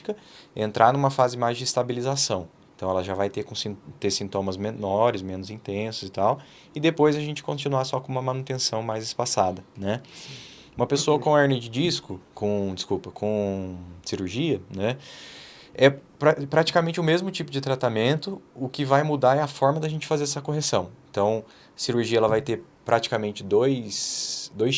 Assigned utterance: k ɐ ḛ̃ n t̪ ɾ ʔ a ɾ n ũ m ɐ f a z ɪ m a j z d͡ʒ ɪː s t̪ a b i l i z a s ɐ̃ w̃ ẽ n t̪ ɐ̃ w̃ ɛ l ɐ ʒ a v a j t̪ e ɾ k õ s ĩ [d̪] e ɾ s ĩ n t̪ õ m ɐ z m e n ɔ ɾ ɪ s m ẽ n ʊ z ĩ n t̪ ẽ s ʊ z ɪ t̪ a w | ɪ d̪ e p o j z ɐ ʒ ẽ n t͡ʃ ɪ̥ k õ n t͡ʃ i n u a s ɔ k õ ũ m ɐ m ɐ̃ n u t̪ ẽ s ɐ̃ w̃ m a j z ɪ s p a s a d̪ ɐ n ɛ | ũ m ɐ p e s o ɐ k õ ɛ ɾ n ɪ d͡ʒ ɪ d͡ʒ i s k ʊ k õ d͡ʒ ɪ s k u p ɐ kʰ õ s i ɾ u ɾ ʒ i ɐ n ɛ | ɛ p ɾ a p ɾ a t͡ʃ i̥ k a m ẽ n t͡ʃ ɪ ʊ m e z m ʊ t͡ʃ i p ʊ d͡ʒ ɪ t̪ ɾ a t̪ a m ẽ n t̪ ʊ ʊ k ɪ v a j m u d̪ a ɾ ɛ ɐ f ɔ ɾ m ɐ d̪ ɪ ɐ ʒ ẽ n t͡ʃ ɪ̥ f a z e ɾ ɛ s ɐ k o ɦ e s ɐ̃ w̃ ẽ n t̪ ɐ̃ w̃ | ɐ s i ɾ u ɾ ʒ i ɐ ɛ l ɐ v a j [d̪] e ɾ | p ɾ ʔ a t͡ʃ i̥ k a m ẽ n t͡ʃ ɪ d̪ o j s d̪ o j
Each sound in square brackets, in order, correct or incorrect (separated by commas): incorrect, incorrect